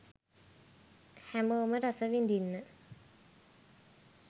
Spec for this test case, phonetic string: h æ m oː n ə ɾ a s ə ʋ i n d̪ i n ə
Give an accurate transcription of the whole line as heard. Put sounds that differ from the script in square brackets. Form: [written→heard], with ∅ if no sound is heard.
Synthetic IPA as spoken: h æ m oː [n→m] ə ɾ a s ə ʋ i n d̪ i [n→nː] ə